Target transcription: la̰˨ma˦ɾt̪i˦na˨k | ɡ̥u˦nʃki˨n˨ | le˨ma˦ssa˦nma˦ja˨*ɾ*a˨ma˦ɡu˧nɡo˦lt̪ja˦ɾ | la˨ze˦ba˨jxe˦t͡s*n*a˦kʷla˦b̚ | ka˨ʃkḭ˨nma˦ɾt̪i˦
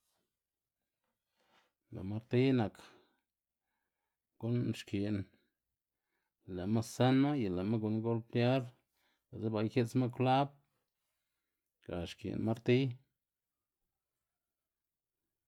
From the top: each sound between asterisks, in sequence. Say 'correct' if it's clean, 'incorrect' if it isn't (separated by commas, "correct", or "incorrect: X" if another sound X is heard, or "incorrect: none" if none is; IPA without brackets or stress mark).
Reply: incorrect: l, incorrect: m